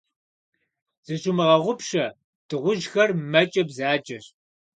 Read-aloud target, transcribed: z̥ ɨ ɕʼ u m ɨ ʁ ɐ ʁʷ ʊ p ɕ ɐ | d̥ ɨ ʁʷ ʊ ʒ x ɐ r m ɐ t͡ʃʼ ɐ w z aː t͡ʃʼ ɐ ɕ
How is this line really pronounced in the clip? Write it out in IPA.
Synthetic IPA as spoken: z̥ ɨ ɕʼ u m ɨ ʁ ɐ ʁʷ ʊ p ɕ ɐ | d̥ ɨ ʁʷ ʊ ʒ x ɐ r m ɐ t͡ʃʼ ɐ b z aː t͡ʃʼ ɐ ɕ